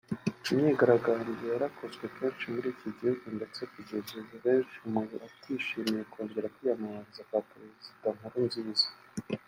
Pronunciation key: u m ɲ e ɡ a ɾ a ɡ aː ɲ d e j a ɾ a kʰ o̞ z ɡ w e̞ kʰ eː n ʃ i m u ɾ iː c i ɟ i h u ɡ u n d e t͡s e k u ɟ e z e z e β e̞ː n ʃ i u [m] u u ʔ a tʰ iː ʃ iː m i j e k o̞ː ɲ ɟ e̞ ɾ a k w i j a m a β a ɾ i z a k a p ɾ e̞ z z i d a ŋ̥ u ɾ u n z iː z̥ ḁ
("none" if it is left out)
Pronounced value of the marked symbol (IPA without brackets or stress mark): m